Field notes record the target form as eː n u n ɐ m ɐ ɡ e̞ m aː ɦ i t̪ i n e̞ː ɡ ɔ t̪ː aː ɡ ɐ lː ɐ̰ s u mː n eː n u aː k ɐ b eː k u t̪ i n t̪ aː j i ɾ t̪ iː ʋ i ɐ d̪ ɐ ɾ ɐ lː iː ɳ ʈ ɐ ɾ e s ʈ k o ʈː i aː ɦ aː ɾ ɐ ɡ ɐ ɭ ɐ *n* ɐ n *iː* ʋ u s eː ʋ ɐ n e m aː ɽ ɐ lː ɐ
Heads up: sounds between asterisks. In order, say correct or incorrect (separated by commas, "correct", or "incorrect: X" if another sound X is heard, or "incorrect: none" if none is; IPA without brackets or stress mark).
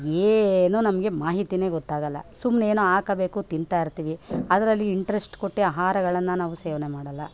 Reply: incorrect: nː, incorrect: aː